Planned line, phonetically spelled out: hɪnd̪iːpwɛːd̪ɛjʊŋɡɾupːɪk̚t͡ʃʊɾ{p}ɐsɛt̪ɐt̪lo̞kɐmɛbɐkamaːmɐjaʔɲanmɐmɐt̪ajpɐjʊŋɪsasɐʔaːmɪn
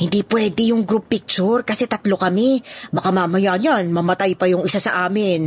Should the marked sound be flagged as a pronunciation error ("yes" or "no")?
yes